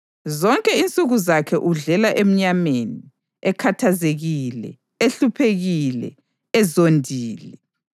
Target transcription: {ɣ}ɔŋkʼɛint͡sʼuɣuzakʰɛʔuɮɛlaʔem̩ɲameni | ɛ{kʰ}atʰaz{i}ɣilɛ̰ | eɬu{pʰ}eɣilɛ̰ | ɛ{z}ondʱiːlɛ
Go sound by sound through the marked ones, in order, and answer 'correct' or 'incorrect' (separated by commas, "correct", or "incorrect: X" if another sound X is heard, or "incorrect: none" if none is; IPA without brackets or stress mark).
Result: incorrect: z, correct, incorrect: e, correct, correct